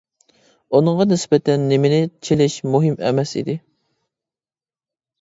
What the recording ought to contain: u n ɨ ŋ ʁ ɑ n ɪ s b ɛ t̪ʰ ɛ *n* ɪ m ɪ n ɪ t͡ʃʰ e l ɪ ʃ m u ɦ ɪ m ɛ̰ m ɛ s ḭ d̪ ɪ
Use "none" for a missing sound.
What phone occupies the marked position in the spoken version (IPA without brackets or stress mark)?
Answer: nː